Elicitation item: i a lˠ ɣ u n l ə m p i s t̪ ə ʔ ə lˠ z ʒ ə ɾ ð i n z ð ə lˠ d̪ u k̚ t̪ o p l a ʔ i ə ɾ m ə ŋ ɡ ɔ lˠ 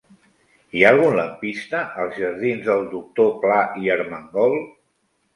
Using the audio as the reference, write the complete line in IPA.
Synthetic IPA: i a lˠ ɣ u n l ə m p i s t̪ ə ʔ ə lˠ z ʒ ə ɾ ð i n z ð ə lˠ d̪ u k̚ t̪ o p l a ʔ i ə ɾ m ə ŋ ɡ ɔ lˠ